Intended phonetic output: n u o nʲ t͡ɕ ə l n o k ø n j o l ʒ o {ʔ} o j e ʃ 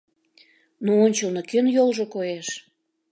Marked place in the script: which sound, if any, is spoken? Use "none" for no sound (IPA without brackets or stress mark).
k